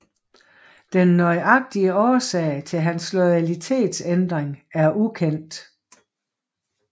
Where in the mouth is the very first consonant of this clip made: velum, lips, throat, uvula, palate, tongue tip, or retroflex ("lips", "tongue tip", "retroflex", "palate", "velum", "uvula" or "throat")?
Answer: tongue tip